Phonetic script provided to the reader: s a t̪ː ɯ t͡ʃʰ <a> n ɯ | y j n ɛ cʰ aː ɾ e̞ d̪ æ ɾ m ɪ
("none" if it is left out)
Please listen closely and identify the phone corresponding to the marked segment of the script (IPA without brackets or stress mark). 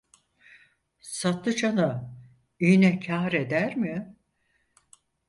a